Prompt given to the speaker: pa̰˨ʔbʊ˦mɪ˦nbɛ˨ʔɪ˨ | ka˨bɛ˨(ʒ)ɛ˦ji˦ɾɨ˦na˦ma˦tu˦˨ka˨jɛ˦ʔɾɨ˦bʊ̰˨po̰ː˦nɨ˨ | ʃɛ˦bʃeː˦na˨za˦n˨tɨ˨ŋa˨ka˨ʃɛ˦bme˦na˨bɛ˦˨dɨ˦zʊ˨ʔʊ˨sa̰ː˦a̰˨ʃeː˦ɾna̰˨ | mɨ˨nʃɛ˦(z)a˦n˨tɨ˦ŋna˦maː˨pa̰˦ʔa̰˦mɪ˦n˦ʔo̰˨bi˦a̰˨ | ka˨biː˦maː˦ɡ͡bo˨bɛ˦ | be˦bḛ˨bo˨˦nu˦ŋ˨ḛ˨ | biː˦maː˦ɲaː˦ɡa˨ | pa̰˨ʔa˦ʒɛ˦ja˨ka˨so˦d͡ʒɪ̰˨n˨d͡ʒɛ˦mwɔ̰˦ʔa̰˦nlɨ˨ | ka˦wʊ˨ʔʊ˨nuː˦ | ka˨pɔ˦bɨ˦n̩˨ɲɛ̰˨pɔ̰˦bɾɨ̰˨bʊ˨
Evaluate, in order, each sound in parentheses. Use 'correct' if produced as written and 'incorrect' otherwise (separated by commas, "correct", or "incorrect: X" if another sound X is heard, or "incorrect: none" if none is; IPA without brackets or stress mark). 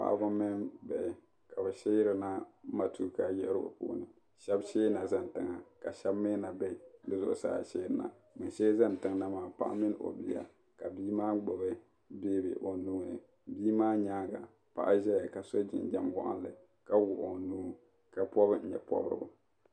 incorrect: ʃ, correct